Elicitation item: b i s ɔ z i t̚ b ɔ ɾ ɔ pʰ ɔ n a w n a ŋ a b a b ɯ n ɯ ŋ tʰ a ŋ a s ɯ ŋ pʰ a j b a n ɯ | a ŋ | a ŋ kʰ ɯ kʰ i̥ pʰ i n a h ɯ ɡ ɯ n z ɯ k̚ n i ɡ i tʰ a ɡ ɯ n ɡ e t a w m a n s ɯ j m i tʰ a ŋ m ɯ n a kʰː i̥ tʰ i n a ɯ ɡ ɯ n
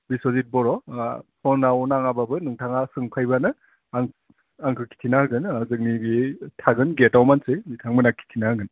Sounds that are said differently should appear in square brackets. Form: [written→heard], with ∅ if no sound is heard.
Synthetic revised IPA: b i s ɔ z i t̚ b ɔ ɾ ɔ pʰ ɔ n a w n a ŋ a b a b ɯ n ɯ ŋ tʰ a ŋ a s ɯ ŋ pʰ a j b a n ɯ | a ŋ | a ŋ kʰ ɯ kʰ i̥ [pʰ→tʰ] i n a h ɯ ɡ ɯ n z ɯ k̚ n i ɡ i tʰ a ɡ ɯ n ɡ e t a w m a n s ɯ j m i tʰ a ŋ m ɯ n a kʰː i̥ tʰ i n a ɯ ɡ ɯ n